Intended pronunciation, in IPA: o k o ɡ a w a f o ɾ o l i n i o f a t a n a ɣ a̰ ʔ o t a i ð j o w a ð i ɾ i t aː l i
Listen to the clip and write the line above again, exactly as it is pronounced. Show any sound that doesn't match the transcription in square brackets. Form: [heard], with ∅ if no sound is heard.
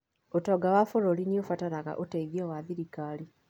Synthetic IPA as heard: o [t] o ɡ a w a f o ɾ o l i n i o f a t a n a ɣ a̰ ʔ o t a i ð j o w a ð i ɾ i [k] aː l i